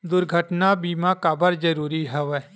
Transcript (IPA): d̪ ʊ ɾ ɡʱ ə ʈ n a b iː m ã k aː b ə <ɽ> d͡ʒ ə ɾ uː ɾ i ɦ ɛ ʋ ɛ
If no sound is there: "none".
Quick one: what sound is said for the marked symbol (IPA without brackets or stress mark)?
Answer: ɾ